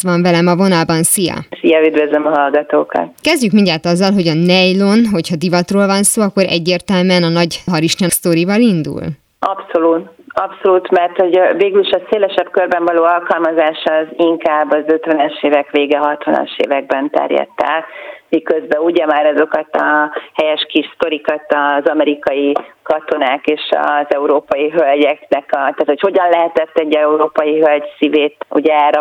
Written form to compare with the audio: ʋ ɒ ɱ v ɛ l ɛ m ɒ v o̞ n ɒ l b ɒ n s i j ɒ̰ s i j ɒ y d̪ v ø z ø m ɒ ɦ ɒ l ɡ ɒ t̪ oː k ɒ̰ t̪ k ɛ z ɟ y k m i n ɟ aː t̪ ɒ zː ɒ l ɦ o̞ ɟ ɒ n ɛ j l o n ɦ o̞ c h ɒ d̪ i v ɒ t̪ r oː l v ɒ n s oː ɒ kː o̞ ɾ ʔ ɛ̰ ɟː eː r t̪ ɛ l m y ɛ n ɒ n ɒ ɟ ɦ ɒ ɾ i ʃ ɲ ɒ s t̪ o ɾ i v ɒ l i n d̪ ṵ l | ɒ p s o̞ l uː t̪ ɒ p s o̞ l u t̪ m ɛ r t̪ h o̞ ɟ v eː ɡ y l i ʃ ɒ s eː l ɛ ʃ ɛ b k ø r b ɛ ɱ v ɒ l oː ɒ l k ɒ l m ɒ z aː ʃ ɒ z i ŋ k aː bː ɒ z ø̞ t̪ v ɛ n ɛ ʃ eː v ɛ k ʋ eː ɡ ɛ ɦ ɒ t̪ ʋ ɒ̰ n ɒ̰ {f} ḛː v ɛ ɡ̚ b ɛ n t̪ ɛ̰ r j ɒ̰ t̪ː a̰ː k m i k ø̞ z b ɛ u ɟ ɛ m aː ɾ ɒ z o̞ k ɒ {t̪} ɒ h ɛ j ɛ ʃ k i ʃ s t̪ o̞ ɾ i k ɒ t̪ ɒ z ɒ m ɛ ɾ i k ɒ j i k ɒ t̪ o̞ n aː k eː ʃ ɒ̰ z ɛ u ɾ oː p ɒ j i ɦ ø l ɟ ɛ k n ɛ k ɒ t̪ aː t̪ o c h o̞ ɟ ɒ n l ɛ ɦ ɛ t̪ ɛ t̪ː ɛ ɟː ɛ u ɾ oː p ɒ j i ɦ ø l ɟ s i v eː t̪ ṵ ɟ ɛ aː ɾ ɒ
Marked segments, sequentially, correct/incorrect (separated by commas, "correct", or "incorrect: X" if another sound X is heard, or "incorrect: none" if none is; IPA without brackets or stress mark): incorrect: ʃ, correct